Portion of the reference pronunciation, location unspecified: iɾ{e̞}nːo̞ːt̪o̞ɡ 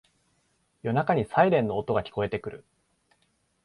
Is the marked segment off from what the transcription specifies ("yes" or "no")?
yes